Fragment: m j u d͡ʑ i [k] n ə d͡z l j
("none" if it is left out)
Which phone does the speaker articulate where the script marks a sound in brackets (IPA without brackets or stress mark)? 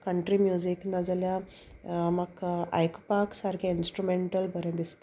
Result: k